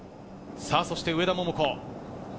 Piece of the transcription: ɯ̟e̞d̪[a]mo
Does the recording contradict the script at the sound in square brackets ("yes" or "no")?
no